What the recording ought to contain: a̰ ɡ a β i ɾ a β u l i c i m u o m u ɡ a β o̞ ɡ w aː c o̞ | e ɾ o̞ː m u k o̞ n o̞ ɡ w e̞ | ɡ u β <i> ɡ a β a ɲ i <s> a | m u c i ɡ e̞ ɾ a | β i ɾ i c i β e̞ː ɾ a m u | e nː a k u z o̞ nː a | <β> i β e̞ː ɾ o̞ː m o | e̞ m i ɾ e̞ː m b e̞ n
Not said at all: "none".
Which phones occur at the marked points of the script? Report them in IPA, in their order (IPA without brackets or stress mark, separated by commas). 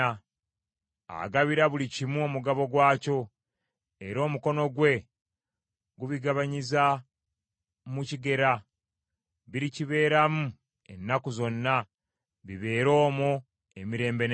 i, z, β